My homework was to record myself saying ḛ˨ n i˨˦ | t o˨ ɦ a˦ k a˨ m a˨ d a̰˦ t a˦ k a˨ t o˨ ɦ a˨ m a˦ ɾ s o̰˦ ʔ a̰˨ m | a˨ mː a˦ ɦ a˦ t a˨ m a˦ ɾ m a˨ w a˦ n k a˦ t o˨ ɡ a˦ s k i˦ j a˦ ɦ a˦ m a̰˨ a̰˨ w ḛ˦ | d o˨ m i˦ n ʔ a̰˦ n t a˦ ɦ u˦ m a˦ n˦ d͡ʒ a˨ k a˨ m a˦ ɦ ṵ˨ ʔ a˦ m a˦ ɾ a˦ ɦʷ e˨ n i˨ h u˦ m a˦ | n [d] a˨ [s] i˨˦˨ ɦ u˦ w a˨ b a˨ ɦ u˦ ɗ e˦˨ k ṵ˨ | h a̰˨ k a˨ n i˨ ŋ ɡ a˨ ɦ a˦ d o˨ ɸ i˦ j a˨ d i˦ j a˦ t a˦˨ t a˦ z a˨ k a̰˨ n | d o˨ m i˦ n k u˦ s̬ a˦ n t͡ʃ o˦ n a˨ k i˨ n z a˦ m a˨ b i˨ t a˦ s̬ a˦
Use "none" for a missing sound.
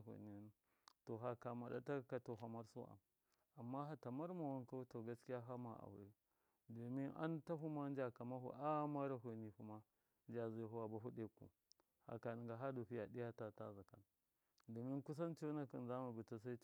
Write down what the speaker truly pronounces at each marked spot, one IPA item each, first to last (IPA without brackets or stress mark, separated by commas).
d͡ʒ, z